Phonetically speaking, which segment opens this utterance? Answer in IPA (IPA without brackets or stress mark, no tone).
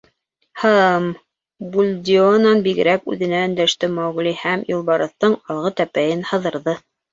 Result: h